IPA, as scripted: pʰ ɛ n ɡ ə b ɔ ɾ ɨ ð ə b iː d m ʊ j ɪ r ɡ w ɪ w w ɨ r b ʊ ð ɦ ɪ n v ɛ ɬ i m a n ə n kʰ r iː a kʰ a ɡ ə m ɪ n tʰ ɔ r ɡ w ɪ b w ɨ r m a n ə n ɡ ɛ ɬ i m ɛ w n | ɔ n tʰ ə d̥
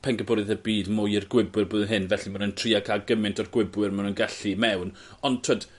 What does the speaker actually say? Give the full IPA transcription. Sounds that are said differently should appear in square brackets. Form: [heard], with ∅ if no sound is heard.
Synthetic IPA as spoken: pʰ ɛ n ɡ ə b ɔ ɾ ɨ ð ə b iː d m ʊ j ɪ r ɡ w ɪ [b] w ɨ r b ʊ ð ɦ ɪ n v ɛ ɬ i m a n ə n [tʰ] r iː a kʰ a ɡ ə m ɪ n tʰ ɔ r ɡ w ɪ b w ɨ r m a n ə n ɡ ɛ ɬ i m ɛ w n | ɔ n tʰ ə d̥